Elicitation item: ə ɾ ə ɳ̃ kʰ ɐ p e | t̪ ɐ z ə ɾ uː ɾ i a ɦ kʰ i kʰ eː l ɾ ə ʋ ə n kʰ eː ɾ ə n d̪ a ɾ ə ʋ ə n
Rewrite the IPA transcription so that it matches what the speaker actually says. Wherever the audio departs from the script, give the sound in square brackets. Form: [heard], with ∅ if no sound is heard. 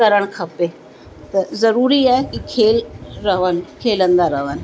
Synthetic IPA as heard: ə ɾ ə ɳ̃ kʰ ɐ p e | t̪ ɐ z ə ɾ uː ɾ i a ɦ [k] i kʰ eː l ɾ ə ʋ ə n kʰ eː [l] ə n d̪ a ɾ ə ʋ ə n